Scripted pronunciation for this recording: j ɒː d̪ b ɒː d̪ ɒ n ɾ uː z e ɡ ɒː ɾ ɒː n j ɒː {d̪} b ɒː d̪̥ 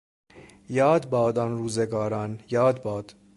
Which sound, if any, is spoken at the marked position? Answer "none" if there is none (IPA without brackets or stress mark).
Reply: d̪